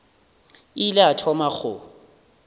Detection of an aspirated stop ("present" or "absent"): present